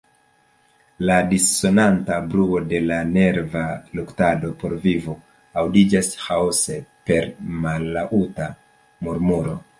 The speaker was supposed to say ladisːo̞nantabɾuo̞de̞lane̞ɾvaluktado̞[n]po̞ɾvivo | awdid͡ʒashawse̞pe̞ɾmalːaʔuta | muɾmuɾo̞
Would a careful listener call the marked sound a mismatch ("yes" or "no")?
yes